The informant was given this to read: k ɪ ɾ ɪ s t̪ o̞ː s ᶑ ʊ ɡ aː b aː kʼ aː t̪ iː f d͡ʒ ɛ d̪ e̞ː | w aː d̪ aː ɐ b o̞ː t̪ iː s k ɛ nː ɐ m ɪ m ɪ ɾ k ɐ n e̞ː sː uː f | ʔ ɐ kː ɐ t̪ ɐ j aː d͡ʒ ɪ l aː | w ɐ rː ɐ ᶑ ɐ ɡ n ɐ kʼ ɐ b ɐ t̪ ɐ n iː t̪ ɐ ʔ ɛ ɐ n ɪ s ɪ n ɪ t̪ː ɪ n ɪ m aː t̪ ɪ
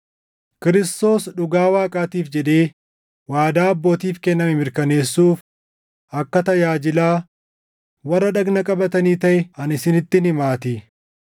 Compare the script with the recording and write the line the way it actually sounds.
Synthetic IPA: k ɪ ɾ ɪ s t̪ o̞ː s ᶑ ʊ ɡ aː w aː kʼ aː t̪ iː f d͡ʒ ɛ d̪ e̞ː | w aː d̪ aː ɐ bː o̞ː t̪ iː f k ɛ nː ɐ m ɪ m ɪ ɾ k ɐ n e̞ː sː uː f | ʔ ɐ kː ɐ t̪ ɐ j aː d͡ʒ ɪ l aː | w ɐ rː ɐ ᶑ ɐ ɡ n ɐ kʼ ɐ b ɐ t̪ ɐ n iː t̪ ɐ ʔ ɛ ɐ n ɪ s ɪ n ɪ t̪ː ɪ n ɪ m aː t̪ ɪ